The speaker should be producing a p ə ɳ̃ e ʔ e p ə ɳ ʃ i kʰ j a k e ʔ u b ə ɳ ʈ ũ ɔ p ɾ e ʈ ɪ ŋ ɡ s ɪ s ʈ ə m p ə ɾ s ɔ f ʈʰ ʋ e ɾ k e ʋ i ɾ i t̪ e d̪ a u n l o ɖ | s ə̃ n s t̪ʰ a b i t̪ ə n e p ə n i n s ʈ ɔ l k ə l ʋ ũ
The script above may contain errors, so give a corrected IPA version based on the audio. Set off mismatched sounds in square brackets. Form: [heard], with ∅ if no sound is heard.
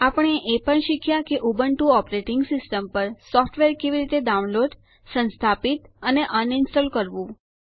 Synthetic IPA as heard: a p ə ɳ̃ e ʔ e p ə ɳ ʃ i kʰ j a k e ʔ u b ə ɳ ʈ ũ ɔ p ɾ e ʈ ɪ ŋ ɡ s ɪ s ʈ ə m p ə ɾ s ɔ f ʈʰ ʋ e ɾ k e ʋ i ɾ i t̪ e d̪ a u n l o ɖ | s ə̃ n s t̪ʰ a [p] i t̪ ə n e [ʔ] ə n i n s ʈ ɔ l k ə [ɾ] ʋ ũ

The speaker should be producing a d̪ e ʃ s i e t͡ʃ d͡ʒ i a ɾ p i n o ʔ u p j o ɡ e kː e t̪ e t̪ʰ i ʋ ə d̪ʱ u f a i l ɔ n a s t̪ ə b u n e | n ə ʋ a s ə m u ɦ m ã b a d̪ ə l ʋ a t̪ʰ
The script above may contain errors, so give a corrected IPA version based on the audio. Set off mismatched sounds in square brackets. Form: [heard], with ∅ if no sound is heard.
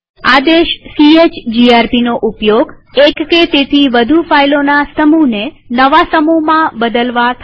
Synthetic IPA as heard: a d̪ e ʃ s i e t͡ʃ d͡ʒ i a ɾ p i n o ʔ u p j o ɡ e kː e t̪ e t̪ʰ i ʋ ə d̪ʱ u f a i l [o] n a s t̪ ə [m] u n e | n ə ʋ a s ə m u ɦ m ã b [ə] d̪ ə l ʋ a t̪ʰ

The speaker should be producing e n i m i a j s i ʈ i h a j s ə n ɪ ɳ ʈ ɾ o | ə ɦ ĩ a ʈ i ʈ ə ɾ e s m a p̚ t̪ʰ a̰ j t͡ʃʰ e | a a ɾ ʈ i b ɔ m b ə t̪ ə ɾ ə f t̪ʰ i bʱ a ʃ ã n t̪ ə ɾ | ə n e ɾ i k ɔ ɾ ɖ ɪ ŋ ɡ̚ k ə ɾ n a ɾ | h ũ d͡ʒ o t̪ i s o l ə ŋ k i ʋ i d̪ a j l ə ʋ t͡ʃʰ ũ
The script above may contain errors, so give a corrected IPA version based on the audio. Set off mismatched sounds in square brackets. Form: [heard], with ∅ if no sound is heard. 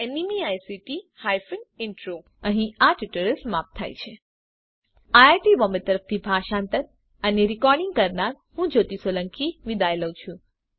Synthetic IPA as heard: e n i m i a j s i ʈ i h a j [f] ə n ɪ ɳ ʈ ɾ o | ə ɦ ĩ a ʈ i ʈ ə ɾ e s m a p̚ t̪ʰ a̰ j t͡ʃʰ e | a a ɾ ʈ i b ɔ m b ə t̪ ə ɾ ə f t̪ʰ i bʱ a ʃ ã n t̪ ə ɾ | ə n e ɾ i k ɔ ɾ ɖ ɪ ŋ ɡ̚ k ə ɾ n a ɾ | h ũ d͡ʒ o t̪ i s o l ə ŋ k i ʋ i d̪ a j l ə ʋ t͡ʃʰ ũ

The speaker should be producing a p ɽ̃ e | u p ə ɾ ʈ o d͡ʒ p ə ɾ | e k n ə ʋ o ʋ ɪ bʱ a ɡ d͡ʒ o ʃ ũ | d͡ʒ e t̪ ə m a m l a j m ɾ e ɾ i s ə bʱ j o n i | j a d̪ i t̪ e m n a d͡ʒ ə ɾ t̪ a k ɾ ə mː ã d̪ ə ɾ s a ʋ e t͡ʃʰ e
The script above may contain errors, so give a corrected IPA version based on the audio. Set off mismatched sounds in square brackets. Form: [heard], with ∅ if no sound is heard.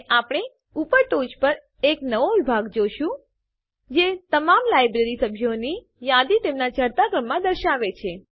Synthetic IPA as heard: a p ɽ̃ e | u p ə ɾ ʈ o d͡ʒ p ə ɾ | e k n ə ʋ o ʋ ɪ bʱ a ɡ d͡ʒ o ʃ ũ | d͡ʒ e t̪ ə m a m l a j [b] ɾ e ɾ i s ə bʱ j o n i | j a d̪ i t̪ e m n a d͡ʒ ə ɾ t̪ a k ɾ ə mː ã d̪ ə ɾ [ʃ] a ʋ e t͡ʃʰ e

